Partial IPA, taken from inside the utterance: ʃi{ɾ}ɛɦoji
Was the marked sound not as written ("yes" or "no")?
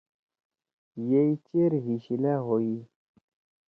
yes